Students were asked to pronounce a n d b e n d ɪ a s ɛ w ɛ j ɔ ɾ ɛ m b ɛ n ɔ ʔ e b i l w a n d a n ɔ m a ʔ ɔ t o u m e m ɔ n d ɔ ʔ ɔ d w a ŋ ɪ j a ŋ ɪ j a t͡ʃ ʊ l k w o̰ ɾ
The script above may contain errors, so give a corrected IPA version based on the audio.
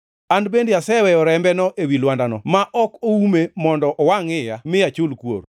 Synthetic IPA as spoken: a n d b e n d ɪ a s ɛ w ɛ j ɔ ɾ ɛ m b ɛ n ɔ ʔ e w i l w a n d a n ɔ m a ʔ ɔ k o u m e m ɔ n d ɔ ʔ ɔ w a ŋ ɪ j a m ɪ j a t͡ʃ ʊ l k w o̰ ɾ